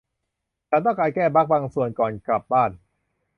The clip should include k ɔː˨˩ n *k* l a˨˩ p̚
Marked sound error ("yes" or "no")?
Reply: no